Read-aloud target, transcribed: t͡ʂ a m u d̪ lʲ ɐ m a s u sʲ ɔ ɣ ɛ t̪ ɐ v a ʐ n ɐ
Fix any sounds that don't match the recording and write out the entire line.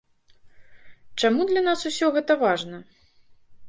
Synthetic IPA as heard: t͡ʂ a m u d̪ lʲ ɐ n a s u sʲ ɔ ɣ ɛ t̪ ɐ v a ʐ n ɐ